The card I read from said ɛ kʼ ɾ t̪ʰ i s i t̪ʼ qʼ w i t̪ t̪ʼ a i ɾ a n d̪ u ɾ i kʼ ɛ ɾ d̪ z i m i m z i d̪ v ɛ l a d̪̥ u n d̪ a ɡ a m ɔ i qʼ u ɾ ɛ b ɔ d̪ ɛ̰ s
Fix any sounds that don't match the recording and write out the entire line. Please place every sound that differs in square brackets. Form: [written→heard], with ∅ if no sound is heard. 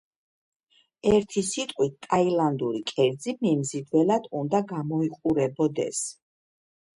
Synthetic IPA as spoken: ɛ [kʼ→∅] ɾ t̪ʰ i s i t̪ʼ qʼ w i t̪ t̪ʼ a i [ɾ→l] a n d̪ u ɾ i kʼ ɛ ɾ d̪ z i m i m z i d̪ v ɛ l a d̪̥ u n d̪ a ɡ a m ɔ i qʼ u ɾ ɛ b ɔ d̪ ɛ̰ s